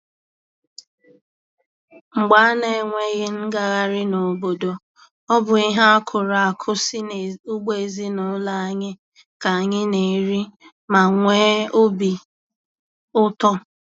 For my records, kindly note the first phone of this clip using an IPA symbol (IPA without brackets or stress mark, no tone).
ŋ͡m̩